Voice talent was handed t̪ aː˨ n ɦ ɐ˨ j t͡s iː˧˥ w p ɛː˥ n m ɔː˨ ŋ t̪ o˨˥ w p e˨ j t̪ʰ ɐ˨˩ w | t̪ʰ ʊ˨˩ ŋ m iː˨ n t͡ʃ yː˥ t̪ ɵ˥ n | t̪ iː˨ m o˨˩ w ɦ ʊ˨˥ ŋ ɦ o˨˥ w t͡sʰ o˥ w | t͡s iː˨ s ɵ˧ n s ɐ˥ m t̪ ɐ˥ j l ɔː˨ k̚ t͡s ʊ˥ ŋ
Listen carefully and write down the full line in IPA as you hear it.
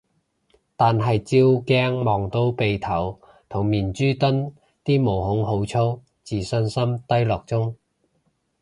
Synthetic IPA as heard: t̪ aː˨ n ɦ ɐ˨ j t͡s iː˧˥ w k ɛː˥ ŋ m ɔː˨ ŋ t̪ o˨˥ w p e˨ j t̪ʰ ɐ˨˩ w | t̪ʰ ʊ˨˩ ŋ m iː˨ n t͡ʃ yː˥ t̪ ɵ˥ n | t̪ iː˥ m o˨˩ w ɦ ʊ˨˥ ŋ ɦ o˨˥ w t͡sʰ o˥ w | t͡s iː˨ s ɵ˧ n s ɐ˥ m t̪ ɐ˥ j l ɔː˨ k̚ t͡s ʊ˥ ŋ